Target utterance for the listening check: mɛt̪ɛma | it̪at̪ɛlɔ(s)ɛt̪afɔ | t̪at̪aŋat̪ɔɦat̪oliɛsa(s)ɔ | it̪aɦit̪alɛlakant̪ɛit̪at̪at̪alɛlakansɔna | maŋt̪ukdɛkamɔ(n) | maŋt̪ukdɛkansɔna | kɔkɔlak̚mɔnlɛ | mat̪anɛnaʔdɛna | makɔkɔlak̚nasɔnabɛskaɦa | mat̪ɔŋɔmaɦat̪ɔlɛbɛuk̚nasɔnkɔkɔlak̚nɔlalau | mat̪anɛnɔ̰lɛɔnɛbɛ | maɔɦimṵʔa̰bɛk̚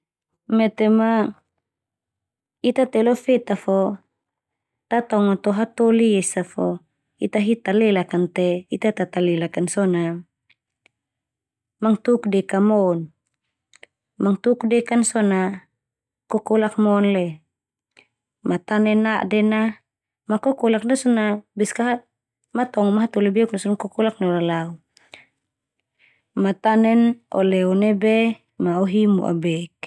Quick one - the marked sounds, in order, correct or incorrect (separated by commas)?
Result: incorrect, incorrect, correct